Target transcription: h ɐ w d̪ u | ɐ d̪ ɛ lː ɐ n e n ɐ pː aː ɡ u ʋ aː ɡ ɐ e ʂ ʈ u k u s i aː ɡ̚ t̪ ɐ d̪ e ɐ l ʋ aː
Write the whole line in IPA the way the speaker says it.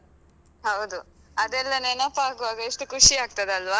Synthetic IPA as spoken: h ɐ w d̪ u | ɐ d̪ ɛ lː ɐ n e n ɐ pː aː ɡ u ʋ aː ɡ ɐ e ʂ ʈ u k u ʂ i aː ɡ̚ t̪ ɐ d̪ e ɐ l ʋ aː